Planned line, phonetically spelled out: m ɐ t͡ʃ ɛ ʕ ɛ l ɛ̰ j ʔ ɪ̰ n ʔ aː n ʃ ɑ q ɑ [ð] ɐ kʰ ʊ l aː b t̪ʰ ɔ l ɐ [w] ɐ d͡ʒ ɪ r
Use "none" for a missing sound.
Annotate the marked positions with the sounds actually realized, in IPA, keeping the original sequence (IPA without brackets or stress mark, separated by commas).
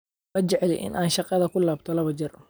ð, β